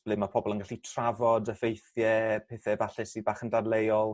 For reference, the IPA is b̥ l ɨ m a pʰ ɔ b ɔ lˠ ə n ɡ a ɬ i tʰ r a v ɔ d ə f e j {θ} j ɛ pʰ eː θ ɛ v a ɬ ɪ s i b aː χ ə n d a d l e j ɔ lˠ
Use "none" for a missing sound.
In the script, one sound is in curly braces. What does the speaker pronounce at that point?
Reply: θ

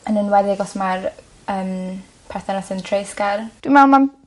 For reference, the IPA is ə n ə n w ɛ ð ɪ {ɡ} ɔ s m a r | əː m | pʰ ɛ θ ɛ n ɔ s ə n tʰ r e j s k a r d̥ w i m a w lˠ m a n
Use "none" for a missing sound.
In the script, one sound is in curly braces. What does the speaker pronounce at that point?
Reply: ɡ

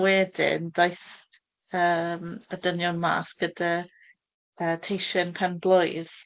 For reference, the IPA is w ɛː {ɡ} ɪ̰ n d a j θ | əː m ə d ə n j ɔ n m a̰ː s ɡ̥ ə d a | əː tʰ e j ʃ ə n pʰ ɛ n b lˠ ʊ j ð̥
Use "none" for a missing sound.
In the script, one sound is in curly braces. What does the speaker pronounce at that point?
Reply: d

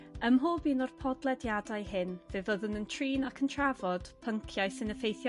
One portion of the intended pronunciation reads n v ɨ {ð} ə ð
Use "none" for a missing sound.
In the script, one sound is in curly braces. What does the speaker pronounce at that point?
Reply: v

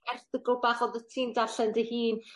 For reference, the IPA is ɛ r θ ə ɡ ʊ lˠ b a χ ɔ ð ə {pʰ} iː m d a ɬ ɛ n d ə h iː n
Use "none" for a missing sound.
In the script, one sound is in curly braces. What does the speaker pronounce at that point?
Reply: tʰ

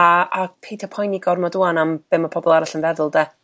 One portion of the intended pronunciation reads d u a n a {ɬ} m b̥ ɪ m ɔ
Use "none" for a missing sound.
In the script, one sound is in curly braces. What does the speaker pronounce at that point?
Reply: none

